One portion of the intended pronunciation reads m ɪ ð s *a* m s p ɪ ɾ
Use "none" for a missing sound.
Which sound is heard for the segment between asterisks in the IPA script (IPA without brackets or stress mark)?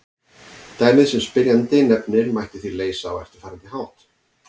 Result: ɛ